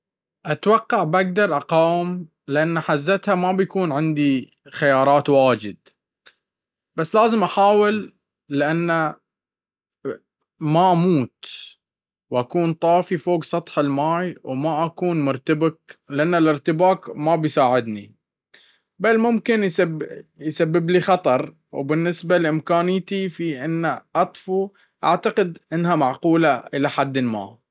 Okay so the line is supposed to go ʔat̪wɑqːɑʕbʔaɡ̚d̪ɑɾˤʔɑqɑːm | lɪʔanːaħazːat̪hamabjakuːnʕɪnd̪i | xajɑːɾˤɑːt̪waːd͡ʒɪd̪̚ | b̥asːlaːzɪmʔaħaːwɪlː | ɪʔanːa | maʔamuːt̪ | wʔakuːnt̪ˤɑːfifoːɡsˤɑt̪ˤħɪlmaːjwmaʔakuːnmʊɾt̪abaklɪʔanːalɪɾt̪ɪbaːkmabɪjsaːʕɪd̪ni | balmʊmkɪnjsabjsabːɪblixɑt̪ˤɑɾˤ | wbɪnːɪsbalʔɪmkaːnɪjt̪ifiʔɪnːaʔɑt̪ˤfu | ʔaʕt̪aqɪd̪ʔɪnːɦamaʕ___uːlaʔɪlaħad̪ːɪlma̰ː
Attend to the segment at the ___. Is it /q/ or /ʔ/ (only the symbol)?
q